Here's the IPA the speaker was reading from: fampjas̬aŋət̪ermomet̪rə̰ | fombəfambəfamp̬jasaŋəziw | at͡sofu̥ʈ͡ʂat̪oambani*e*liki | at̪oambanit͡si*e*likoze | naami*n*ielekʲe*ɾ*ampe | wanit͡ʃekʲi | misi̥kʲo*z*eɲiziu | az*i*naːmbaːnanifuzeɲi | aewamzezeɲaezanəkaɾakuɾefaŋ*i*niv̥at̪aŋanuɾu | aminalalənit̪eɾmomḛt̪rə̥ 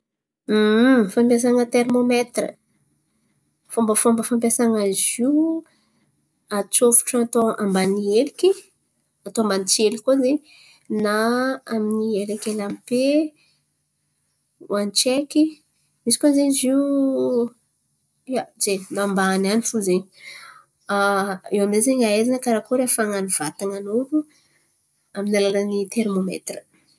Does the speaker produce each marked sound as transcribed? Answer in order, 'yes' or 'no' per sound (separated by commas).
yes, yes, yes, no, yes, no, no